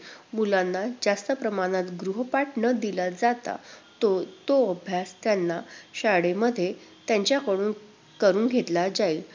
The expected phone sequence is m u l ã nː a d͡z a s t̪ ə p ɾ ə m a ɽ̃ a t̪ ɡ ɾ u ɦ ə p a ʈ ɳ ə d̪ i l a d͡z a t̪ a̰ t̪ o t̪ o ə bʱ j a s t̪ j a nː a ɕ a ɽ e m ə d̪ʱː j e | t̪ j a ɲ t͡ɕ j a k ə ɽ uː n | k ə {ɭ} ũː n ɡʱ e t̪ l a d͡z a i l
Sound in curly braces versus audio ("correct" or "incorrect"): incorrect